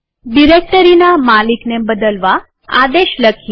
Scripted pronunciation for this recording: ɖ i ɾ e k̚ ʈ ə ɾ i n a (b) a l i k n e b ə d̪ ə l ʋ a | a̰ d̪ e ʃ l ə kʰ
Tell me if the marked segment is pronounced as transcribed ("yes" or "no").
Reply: no